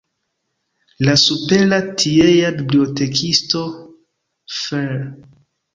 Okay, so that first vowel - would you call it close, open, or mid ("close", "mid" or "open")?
open